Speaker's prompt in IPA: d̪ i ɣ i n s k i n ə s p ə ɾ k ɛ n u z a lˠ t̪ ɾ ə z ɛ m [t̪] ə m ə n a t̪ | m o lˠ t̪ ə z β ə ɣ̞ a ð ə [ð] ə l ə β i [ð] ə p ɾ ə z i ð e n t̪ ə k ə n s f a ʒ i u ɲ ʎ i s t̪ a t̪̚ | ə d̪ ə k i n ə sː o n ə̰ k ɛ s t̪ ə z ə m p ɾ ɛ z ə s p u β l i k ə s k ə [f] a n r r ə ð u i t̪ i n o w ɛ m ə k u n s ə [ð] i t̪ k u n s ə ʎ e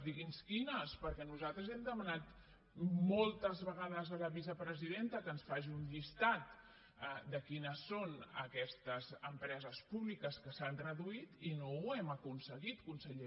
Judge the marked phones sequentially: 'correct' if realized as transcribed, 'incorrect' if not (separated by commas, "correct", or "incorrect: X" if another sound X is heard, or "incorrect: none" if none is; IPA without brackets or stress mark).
incorrect: d̪, incorrect: z, incorrect: z, incorrect: s, incorrect: ɣ